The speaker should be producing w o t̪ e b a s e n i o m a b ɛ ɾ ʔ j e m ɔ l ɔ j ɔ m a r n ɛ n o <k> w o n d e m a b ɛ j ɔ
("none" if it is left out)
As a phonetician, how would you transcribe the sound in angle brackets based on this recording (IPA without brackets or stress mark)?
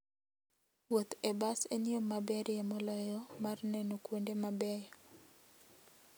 k